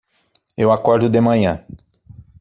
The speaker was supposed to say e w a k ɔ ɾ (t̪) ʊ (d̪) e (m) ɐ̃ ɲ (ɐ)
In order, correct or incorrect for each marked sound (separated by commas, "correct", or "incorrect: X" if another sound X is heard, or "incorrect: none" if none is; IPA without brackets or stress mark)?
incorrect: d̪, correct, correct, incorrect: ɐ̃